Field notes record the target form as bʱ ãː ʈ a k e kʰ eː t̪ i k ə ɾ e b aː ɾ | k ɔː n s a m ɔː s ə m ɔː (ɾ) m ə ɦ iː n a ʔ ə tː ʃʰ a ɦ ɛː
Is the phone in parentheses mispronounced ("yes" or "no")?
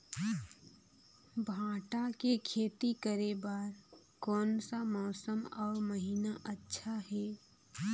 no